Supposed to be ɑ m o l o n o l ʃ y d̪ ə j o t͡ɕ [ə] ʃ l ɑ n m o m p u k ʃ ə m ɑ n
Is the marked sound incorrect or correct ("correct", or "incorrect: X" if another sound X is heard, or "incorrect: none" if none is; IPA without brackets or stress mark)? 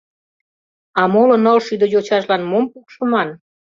incorrect: ɑ